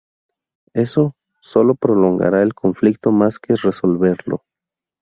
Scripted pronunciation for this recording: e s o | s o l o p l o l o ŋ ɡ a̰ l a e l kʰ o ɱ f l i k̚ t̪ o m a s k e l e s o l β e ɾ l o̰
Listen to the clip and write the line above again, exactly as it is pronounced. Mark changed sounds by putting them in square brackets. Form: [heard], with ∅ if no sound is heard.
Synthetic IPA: e s o | s o l o p [ɾ] o l o ŋ ɡ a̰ [ɾ] a e l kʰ o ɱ f l i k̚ t̪ o m a s k e [r] e s o l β e ɾ l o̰